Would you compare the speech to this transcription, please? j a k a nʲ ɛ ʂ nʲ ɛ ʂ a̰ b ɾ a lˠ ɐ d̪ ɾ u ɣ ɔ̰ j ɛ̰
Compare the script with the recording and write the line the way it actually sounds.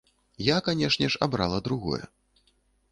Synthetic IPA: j a k a nʲ ɛ ʂ nʲ ɛ ʂ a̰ b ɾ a lˠ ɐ d̪ ɾ u ɣ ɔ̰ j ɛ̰